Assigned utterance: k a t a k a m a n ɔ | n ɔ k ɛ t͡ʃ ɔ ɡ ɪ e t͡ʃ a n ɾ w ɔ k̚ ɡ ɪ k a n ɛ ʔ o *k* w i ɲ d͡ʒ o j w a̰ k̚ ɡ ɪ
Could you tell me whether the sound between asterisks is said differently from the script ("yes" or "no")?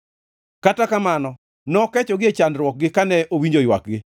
yes